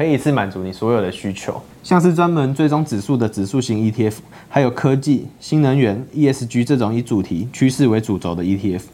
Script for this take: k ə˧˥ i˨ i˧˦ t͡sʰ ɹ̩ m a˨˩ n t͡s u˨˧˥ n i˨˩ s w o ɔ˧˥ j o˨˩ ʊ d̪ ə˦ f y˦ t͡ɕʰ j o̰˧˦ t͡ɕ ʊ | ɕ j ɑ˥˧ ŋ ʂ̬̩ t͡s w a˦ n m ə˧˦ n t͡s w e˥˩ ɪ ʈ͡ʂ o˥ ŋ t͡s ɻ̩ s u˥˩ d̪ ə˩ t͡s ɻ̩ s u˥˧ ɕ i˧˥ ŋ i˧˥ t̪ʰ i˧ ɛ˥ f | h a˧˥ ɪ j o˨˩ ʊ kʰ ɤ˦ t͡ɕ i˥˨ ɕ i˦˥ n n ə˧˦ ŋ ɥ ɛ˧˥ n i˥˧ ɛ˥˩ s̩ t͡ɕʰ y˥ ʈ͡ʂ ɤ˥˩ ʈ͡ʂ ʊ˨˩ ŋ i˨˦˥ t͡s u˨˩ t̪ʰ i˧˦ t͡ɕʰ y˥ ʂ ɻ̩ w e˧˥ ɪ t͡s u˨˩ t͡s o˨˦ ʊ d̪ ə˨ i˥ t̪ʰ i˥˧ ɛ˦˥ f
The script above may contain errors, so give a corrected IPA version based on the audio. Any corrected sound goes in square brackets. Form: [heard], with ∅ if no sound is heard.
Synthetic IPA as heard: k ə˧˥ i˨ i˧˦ t͡sʰ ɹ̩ m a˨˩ n t͡s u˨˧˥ n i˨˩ s w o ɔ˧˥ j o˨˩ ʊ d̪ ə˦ [ɕ] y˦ t͡ɕʰ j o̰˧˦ [∅] ʊ | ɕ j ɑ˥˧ ŋ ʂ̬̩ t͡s w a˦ n m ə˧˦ n t͡s w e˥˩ ɪ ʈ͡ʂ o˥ ŋ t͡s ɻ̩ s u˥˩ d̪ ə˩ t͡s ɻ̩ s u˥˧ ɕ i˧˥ ŋ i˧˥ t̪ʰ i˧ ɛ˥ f | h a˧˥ ɪ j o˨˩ ʊ kʰ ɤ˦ t͡ɕ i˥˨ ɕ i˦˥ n n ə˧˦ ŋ ɥ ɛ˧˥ n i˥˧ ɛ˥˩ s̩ [t͡ɕ] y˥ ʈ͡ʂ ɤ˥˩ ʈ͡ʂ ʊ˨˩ ŋ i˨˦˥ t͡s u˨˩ t̪ʰ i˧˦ t͡ɕʰ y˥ ʂ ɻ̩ w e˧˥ ɪ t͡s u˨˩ t͡s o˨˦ ʊ d̪ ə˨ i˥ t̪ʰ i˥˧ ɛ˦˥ f